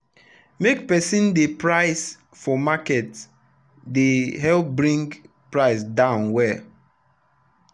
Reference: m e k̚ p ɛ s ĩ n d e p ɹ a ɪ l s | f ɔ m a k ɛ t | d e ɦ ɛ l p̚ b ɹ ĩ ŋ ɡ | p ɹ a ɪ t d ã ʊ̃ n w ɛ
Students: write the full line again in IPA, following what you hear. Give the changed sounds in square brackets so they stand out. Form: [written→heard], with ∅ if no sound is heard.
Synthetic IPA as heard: m e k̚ p ɛ s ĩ n d e p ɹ a ɪ [l→∅] s | f ɔ m a k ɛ t | d e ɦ ɛ l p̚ b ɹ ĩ ŋ ɡ | p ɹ a ɪ [t→s] d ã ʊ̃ n w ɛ